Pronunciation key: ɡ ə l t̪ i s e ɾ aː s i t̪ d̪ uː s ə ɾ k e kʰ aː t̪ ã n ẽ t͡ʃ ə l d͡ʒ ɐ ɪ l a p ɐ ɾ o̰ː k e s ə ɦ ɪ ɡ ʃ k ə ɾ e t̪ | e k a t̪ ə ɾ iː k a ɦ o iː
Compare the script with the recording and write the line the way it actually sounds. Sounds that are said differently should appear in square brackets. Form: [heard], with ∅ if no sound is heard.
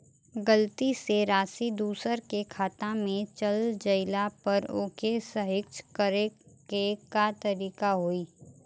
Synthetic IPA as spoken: ɡ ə l t̪ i s e ɾ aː s i [∅] d̪ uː s ə ɾ k e kʰ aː t̪ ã [m] ẽ t͡ʃ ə l d͡ʒ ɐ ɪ l a p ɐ ɾ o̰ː k e s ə ɦ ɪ [k] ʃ k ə ɾ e [∅] | e k a t̪ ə ɾ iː k a ɦ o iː